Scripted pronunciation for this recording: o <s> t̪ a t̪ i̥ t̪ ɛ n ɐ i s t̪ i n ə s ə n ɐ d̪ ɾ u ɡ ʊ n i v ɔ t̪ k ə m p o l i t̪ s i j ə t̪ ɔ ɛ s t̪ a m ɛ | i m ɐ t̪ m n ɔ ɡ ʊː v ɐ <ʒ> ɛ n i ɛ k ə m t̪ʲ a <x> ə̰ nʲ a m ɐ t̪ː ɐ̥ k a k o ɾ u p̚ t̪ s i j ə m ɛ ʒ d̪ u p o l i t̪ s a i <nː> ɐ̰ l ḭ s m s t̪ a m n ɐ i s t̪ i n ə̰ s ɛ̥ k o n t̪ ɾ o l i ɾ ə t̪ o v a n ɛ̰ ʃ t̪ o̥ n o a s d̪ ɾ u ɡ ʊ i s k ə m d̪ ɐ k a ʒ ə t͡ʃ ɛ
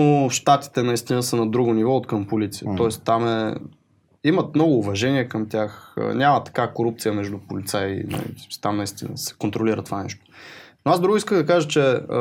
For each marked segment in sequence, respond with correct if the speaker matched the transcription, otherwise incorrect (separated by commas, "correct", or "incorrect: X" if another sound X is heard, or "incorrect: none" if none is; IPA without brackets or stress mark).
incorrect: ʃ, correct, correct, incorrect: n